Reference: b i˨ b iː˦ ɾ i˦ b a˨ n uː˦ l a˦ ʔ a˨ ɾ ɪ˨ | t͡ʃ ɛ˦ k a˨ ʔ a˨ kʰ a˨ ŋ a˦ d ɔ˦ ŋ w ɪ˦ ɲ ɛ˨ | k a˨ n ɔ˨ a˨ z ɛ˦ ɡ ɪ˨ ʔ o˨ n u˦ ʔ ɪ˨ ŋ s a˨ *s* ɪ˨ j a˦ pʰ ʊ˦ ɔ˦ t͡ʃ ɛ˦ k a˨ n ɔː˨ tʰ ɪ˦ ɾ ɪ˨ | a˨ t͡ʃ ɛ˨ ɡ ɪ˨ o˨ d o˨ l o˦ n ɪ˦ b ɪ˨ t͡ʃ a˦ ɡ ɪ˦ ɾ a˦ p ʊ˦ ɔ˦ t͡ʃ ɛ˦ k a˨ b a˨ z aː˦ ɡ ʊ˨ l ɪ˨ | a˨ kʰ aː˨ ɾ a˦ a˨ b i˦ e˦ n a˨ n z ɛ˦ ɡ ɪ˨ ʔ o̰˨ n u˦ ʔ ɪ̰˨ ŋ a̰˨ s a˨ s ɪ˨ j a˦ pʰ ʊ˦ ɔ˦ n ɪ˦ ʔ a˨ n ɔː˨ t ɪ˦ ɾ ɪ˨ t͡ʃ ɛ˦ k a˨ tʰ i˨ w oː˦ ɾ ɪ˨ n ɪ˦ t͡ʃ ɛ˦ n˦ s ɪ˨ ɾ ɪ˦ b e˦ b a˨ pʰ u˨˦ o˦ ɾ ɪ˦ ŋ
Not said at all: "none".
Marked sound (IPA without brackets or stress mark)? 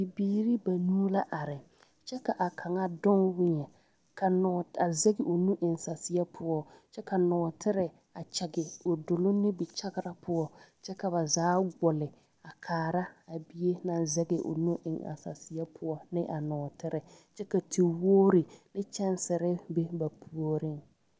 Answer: s